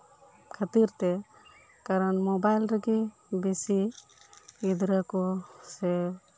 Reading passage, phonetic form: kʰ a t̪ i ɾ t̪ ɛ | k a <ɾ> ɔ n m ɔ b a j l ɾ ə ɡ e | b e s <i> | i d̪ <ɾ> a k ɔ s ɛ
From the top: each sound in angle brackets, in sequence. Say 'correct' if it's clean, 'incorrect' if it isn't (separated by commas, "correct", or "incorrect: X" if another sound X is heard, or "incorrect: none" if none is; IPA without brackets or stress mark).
correct, correct, correct